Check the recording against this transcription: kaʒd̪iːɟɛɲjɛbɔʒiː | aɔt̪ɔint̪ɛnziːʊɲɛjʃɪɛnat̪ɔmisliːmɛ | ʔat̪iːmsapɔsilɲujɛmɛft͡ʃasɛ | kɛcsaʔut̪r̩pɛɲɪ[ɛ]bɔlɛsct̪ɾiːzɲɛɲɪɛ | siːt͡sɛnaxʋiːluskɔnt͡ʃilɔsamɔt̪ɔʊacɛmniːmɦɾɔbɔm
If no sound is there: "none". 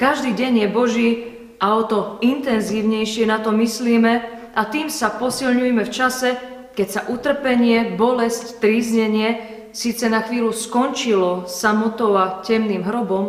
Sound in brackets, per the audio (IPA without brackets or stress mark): ɛ